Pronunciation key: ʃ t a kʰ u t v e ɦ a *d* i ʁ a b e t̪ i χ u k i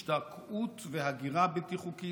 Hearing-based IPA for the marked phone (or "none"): ɡ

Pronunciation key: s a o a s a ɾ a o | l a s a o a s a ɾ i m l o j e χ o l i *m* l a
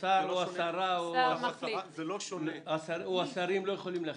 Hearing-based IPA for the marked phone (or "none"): m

